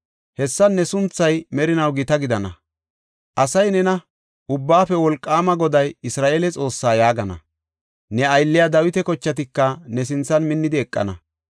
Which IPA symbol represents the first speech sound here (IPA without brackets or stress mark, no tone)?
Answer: h